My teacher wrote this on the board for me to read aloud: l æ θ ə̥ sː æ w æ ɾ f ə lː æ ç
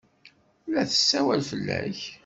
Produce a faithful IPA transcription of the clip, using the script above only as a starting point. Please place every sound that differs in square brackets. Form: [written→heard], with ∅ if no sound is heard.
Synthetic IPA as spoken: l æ θ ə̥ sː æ w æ [ɾ→l] f ə lː æ ç